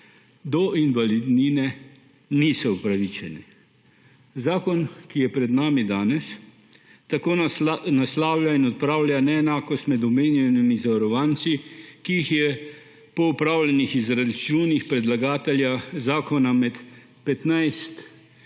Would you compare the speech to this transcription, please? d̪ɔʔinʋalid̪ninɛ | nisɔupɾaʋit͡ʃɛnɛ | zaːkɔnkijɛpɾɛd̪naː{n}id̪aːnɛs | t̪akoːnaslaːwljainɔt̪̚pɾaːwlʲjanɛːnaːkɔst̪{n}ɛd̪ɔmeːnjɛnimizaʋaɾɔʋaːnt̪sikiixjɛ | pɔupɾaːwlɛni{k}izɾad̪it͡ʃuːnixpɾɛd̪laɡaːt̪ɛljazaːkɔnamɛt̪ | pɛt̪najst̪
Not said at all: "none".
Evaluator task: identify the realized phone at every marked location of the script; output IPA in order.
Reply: m, m, x

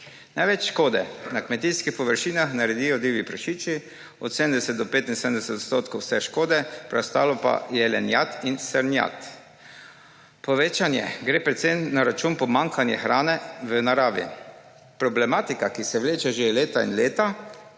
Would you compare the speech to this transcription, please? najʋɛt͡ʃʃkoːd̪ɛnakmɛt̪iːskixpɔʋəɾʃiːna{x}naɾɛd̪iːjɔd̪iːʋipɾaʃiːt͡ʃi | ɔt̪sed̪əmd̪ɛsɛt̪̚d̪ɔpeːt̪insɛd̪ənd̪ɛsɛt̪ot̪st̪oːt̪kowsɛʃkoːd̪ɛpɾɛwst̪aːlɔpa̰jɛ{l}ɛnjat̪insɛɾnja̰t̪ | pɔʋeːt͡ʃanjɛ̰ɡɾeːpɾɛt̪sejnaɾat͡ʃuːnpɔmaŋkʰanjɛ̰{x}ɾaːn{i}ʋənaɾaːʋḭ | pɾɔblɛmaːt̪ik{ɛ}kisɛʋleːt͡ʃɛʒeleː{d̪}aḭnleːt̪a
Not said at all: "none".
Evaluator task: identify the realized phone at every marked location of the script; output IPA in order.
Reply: x, l, x, ɛ, a, t̪

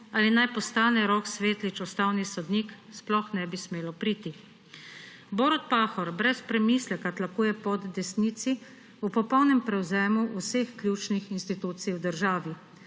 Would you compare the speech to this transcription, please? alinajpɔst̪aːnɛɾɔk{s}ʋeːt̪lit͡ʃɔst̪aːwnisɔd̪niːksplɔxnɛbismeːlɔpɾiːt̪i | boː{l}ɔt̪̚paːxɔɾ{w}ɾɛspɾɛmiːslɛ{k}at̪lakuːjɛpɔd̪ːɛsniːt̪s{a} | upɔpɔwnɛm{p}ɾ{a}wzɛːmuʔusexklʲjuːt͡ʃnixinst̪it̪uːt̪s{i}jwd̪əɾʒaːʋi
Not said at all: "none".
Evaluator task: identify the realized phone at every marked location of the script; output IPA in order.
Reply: s, ɾ, b, k, i, p, ɛ, i

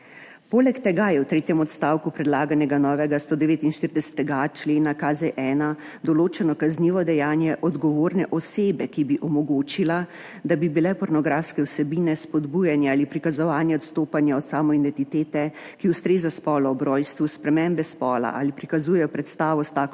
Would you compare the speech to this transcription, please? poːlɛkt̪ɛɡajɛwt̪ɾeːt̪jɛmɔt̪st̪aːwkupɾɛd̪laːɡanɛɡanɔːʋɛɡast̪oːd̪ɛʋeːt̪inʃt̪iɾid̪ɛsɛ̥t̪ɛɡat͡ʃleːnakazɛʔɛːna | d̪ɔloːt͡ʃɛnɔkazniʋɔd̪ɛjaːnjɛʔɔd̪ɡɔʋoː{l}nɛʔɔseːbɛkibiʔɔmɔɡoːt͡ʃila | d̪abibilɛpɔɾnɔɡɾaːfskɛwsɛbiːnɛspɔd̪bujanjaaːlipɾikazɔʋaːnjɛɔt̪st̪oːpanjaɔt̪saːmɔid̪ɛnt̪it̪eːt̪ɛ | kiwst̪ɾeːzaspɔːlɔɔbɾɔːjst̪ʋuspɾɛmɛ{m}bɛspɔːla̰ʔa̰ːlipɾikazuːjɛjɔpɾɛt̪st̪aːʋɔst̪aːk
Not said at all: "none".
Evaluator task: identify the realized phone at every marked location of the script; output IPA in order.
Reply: ɾ, m

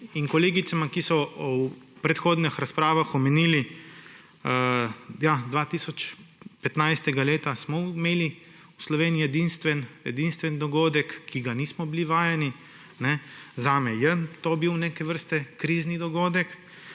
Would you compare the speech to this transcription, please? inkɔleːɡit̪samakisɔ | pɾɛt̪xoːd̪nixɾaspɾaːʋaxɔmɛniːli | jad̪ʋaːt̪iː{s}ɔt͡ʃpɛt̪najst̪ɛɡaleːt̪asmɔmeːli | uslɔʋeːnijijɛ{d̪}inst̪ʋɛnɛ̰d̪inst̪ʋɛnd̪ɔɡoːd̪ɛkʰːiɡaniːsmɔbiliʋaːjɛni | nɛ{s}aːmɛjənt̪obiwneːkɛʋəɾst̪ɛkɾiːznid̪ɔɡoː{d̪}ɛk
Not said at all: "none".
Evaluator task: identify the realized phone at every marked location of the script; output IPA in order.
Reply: s, d̪, z, d̪

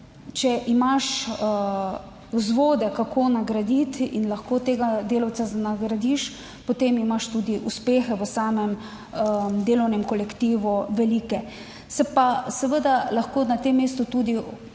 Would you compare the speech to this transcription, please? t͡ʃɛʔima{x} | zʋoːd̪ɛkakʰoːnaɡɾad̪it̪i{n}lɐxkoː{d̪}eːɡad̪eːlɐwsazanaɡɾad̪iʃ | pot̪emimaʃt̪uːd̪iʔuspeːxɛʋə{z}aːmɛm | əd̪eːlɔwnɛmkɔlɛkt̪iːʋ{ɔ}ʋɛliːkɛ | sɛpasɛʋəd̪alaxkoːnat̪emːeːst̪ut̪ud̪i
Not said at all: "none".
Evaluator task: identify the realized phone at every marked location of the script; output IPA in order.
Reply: ʃ, n, t̪, s, u

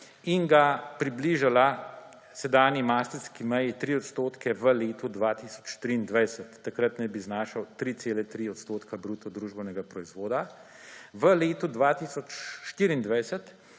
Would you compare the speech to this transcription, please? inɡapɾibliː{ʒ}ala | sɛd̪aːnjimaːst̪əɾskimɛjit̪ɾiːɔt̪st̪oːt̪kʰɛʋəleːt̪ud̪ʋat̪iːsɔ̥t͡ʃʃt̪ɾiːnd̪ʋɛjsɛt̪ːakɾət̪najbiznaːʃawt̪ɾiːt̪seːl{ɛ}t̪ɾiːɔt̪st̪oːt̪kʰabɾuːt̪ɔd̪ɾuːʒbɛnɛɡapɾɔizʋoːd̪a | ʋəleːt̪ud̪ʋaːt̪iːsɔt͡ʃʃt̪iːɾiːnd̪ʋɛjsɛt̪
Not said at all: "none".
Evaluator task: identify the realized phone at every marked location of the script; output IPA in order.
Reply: ʒ, ɛ

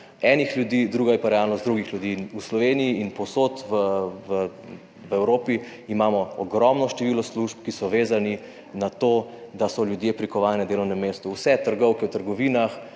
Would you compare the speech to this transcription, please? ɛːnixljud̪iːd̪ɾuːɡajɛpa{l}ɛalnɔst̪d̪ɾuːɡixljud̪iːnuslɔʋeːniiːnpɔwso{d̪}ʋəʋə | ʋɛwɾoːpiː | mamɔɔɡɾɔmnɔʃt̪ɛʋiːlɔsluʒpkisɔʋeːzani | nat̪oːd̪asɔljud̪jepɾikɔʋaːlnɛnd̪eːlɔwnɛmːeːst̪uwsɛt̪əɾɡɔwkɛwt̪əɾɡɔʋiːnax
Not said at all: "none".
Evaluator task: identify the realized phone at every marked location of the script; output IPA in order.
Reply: ɾ, t̪

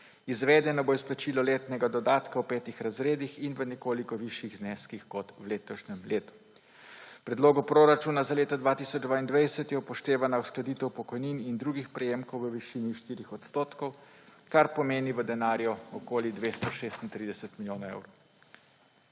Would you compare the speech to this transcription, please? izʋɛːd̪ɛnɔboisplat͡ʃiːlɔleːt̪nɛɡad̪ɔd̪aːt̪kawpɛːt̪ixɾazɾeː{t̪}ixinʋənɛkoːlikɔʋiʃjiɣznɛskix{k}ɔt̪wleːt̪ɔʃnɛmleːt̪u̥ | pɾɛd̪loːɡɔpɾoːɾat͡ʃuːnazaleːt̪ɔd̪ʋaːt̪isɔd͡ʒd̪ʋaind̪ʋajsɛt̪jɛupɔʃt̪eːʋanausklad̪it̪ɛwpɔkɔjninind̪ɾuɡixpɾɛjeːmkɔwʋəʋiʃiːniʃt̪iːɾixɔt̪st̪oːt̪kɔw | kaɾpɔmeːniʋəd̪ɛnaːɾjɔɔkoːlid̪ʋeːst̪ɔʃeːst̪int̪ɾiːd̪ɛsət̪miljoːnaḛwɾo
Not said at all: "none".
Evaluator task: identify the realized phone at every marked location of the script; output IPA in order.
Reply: d̪, k

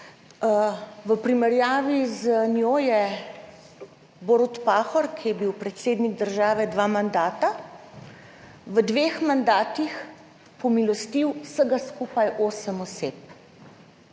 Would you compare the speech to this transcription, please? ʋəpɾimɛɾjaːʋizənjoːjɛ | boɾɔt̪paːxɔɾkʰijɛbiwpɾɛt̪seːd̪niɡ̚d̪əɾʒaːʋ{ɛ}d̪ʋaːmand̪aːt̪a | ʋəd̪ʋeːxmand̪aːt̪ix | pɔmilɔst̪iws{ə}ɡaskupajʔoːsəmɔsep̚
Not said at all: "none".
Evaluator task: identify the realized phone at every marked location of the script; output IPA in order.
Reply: ɛ, ə

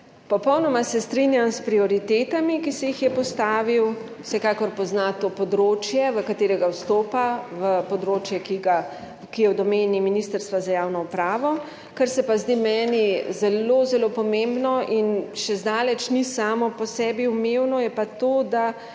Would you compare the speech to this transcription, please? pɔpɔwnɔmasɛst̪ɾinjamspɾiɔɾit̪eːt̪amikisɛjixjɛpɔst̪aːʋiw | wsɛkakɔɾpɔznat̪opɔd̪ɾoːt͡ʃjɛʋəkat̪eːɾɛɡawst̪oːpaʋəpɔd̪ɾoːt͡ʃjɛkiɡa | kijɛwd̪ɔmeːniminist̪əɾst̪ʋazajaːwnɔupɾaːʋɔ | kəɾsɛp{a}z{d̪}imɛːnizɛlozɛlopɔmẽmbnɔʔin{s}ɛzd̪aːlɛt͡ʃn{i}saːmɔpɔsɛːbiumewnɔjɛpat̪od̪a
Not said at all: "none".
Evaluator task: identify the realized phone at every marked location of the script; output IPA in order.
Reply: a, d̪, ʃ, i

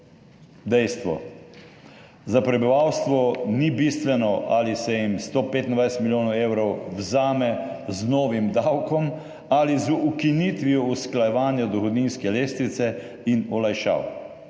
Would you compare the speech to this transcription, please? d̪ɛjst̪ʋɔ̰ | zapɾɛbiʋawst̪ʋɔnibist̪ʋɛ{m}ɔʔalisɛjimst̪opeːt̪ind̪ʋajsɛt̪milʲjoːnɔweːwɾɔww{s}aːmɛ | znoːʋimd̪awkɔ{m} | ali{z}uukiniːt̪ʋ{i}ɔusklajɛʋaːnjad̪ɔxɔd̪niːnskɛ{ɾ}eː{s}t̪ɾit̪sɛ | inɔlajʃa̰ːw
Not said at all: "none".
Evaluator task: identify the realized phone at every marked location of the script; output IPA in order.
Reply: n, z, m, z, i, l, s

